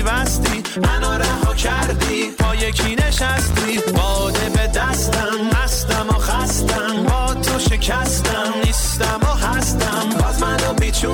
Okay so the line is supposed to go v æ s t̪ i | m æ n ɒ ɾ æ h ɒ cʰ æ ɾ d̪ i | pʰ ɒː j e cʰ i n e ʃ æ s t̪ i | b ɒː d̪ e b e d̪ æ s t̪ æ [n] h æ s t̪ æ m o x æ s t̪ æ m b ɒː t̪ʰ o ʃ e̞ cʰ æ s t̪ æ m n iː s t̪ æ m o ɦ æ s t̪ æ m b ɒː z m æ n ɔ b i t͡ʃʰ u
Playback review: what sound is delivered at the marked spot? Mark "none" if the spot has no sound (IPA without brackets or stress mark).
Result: m